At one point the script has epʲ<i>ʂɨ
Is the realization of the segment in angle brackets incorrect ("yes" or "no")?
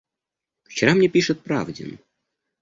no